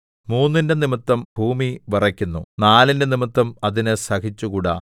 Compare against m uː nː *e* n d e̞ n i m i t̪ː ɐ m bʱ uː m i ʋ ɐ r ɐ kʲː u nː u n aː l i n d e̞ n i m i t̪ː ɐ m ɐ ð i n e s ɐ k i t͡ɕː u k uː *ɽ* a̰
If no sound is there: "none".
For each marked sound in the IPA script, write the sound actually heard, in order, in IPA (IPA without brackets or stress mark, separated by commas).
i, ɽ